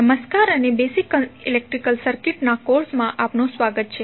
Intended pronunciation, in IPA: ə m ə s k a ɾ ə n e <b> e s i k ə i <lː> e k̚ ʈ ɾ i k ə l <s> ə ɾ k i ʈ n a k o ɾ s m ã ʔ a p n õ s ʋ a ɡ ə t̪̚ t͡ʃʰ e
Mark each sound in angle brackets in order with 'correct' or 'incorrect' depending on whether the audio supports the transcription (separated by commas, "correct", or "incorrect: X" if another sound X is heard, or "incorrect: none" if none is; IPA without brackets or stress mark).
correct, incorrect: l, correct